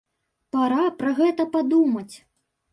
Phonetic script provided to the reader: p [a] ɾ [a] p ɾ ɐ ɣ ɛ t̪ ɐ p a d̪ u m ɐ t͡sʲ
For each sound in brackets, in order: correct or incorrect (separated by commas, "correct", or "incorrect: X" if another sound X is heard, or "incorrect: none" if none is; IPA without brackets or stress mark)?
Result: correct, correct